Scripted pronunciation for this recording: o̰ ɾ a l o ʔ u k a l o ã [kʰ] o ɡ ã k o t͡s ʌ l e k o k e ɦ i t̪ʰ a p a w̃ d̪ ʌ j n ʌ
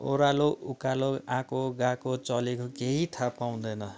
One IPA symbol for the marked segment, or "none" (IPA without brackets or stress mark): k